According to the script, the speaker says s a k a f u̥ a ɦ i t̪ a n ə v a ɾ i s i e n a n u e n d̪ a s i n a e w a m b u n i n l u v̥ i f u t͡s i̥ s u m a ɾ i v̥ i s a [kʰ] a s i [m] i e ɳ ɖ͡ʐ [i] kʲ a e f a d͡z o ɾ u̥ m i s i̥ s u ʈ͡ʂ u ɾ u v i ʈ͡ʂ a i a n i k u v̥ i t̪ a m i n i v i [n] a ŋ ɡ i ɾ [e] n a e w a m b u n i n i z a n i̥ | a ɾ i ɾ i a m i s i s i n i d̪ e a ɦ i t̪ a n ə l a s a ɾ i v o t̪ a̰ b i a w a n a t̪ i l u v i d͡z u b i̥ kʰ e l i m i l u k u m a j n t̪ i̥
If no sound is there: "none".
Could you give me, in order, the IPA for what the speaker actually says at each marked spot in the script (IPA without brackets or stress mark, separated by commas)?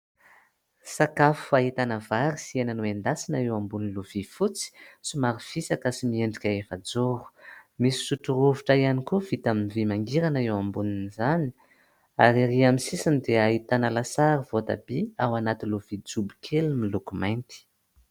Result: k, m, i, m, a